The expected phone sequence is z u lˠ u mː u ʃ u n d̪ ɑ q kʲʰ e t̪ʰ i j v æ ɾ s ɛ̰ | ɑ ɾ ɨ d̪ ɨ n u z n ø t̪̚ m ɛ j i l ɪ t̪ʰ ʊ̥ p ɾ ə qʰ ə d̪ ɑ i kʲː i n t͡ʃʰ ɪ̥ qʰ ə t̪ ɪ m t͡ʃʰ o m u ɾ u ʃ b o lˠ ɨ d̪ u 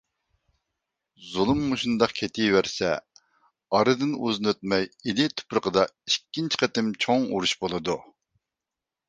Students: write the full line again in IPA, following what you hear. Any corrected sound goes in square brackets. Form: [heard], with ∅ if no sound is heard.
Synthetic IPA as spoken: z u lˠ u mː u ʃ u n d̪ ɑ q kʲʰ e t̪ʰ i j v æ ɾ s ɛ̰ | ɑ ɾ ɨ d̪ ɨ n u z n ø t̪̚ m ɛ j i l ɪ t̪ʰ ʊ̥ p ɾ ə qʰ ə d̪ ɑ i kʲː i n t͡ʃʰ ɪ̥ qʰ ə t̪ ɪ m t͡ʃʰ o [ŋ] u ɾ u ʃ b o lˠ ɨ d̪ u